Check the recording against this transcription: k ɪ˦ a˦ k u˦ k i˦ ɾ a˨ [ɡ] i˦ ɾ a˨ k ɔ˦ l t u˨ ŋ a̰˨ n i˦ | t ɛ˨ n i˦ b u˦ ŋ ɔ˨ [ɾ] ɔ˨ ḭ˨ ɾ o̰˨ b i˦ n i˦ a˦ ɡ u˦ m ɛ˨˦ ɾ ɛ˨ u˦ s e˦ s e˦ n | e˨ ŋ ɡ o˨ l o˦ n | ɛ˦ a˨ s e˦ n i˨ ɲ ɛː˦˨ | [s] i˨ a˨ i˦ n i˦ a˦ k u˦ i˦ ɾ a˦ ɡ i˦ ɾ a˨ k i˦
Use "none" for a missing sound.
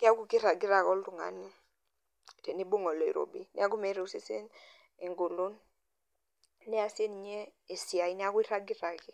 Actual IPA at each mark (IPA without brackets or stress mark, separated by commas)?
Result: ɡ, l, s